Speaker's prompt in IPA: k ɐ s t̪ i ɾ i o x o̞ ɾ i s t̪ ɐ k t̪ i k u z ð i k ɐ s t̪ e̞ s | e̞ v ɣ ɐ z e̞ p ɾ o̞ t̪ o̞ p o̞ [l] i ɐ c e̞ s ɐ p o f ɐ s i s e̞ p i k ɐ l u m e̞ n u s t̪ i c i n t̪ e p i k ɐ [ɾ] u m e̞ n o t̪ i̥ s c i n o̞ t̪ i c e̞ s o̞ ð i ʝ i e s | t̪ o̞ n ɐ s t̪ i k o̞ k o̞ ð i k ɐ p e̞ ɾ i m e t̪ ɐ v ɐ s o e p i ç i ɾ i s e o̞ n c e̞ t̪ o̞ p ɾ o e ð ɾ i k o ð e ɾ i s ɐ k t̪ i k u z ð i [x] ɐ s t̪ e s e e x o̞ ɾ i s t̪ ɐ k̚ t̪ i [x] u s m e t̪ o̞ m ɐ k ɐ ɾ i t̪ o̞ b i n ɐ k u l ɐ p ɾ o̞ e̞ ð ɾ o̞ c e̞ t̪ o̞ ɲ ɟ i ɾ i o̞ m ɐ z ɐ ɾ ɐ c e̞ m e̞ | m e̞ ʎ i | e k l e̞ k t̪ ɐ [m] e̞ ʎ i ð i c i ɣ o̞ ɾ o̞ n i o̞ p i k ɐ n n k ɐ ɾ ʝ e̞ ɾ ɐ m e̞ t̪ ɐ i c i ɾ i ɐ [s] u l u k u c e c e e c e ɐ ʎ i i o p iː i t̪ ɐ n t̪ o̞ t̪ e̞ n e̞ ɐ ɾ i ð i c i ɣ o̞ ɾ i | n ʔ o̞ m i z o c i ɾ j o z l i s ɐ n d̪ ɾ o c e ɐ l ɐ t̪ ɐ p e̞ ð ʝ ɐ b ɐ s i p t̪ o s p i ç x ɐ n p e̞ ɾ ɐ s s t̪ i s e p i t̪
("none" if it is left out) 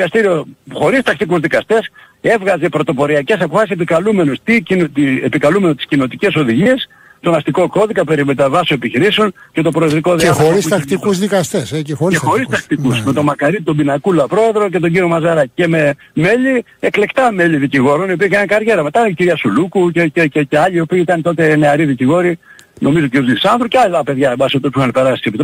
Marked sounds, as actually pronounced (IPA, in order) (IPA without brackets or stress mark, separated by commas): ɾ, l, k, k, m, s